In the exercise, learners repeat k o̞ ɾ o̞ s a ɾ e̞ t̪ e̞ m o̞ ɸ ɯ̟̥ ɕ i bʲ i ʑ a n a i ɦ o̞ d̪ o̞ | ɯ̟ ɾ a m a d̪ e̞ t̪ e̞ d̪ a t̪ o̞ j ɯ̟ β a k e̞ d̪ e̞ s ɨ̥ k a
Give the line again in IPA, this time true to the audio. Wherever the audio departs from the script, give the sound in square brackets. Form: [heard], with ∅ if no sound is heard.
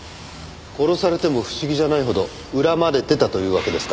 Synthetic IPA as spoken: k o̞ ɾ o̞ s a ɾ e̞ t̪ e̞ m o̞ ɸ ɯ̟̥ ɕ i [ɡʲ] i ʑ a n a i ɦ o̞ d̪ o̞ | ɯ̟ ɾ a m a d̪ e̞ t̪ e̞ [t̪] a t̪ o̞ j [ɯ̟ː] β a k e̞ d̪ e̞ s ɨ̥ k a